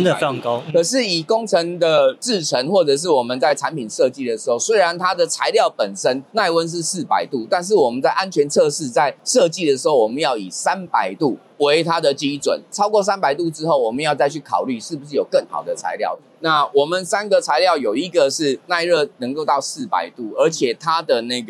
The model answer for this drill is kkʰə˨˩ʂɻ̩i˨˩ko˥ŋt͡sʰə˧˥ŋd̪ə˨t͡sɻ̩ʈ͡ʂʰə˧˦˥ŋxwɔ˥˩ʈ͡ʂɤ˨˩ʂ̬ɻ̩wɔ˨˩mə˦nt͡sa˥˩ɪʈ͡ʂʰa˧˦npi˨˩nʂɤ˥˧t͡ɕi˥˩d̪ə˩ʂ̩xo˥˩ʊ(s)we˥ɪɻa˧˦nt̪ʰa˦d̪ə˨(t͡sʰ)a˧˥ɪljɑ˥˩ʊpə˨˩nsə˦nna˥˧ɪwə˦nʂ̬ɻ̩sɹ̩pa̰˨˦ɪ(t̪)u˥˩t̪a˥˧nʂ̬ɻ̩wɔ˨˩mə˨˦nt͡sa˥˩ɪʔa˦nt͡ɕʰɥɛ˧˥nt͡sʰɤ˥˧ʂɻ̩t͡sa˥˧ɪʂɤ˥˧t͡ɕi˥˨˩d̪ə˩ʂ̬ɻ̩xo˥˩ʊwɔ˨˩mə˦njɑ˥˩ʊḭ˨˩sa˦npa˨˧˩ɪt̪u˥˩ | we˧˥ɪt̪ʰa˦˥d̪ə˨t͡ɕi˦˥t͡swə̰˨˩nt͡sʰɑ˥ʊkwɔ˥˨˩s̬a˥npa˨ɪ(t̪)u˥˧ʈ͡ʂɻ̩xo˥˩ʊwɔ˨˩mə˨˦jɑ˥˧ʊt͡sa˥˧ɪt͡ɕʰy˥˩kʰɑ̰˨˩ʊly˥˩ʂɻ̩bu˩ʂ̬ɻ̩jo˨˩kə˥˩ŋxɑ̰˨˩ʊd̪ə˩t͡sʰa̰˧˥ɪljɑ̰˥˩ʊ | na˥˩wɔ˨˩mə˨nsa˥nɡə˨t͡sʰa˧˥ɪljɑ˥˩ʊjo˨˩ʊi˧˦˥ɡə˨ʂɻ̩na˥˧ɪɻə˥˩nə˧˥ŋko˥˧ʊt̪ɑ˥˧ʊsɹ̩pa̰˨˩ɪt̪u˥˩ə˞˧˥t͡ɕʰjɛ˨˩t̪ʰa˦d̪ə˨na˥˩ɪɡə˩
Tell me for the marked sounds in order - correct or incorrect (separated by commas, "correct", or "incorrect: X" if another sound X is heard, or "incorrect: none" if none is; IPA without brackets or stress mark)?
correct, correct, correct, correct